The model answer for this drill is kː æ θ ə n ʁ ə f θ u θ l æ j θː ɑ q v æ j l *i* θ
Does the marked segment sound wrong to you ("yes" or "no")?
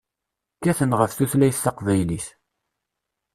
no